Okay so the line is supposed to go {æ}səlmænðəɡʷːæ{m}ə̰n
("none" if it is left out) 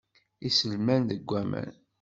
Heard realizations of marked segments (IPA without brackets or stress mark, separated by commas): i, m